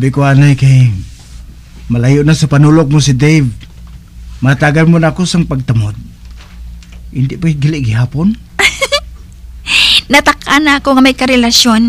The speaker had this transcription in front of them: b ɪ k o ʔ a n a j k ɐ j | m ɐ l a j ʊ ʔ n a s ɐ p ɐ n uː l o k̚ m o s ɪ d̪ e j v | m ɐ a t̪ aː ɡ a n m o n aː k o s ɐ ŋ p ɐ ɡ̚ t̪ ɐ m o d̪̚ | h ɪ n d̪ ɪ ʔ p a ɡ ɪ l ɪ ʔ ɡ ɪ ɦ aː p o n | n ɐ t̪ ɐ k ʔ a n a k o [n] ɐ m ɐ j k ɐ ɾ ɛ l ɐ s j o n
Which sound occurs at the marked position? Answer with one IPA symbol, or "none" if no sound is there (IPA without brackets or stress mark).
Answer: ŋ